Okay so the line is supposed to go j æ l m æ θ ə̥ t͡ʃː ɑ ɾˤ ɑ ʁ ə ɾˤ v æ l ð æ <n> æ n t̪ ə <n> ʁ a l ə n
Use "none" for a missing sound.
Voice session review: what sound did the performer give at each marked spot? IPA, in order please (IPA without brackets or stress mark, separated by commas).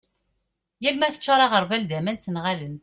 m, n